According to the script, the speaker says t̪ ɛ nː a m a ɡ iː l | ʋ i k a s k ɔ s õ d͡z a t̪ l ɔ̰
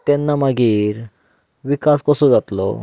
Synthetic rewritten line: t̪ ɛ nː a m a ɡ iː ɾ | ʋ i k a s k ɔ s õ d͡z a t̪ l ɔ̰